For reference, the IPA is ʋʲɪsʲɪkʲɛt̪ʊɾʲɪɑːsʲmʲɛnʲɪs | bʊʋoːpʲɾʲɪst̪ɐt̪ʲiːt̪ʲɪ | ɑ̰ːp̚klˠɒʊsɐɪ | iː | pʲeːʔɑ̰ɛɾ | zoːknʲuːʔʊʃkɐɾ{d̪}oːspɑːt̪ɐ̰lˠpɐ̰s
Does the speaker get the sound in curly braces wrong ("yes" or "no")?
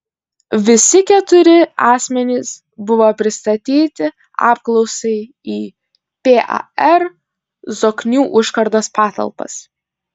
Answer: no